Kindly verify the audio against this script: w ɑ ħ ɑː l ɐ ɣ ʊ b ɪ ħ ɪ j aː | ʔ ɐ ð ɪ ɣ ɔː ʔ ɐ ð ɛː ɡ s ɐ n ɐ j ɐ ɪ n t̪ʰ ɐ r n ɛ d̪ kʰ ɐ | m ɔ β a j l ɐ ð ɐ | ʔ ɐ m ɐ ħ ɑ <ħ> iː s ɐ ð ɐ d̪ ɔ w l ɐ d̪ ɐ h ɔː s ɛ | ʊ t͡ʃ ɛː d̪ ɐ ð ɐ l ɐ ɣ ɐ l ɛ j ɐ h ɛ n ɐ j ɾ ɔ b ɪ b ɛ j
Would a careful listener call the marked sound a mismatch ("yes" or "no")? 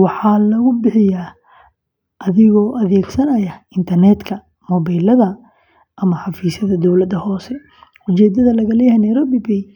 yes